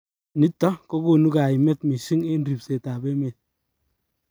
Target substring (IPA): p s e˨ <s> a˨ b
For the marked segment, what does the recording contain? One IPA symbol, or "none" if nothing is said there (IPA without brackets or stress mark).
t